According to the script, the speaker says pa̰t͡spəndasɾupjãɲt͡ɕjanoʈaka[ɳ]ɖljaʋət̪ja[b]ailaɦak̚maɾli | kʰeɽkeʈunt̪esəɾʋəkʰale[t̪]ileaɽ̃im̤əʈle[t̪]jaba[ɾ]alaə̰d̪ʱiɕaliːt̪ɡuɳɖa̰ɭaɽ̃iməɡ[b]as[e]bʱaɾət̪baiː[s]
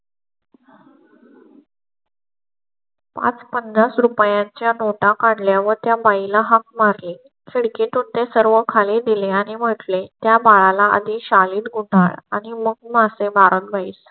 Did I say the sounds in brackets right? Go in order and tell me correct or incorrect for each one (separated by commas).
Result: correct, correct, incorrect, correct, incorrect, incorrect, correct, correct